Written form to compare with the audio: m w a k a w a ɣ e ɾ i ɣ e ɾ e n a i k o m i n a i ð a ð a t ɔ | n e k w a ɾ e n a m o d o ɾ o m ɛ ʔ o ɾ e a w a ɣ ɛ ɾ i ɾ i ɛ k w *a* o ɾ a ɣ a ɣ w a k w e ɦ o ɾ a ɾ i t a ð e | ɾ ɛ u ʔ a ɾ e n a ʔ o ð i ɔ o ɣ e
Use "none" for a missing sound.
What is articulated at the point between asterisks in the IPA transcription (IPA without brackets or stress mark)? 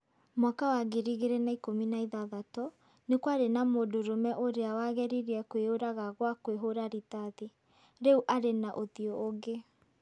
e